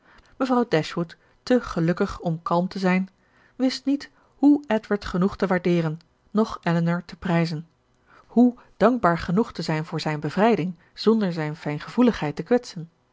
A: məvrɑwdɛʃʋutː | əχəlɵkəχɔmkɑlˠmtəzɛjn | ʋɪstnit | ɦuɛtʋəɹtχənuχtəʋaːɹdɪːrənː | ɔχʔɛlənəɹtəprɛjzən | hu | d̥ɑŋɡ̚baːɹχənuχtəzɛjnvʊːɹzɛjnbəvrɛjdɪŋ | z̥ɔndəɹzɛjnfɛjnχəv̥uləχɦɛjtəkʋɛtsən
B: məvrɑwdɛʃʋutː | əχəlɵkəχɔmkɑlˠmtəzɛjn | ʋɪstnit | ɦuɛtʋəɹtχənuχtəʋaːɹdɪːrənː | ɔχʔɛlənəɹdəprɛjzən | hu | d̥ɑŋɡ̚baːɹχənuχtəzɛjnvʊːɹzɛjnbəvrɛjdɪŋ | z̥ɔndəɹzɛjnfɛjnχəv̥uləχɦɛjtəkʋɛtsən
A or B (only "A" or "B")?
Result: A